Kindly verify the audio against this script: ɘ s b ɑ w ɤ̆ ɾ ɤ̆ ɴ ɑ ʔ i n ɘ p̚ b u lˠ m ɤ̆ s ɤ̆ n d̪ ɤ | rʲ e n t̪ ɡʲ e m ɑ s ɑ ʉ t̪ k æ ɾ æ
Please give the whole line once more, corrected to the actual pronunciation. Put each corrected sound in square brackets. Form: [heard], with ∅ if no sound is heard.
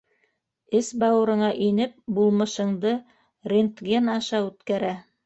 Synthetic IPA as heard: ɘ s b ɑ w ɤ̆ ɾ ɤ̆ ɴ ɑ ʔ i n ɘ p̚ b u lˠ m ɤ̆ [ʃ] ɤ̆ [ɴ] d̪ ɤ | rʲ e n t̪ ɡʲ e [n] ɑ [ʃ] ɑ ʉ t̪ k æ ɾ æ